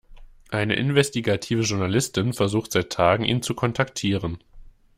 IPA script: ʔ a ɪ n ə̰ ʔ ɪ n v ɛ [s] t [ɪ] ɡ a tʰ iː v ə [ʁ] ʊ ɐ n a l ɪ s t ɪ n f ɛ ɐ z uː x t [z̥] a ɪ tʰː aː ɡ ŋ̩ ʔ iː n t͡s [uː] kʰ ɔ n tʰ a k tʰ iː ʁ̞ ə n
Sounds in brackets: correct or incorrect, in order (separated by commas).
correct, incorrect, incorrect, correct, incorrect